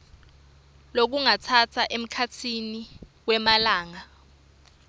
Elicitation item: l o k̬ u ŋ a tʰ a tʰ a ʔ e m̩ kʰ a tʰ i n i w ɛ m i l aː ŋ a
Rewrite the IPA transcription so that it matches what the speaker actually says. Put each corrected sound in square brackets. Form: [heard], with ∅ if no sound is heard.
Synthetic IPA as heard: l o k̬ u ŋ a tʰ a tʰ a ʔ e m̩ kʰ a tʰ i n i w ɛ m [a] l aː ŋ a